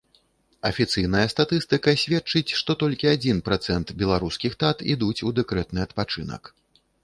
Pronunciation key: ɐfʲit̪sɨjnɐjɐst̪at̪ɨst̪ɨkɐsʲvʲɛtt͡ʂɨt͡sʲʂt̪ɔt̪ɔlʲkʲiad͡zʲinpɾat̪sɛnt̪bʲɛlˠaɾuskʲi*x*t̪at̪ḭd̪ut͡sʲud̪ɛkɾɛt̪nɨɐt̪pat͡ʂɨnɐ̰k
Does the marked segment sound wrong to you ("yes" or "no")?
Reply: no